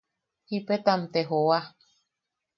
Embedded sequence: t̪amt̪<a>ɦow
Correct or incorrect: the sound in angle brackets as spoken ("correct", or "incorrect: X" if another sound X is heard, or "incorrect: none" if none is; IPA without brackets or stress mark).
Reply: incorrect: e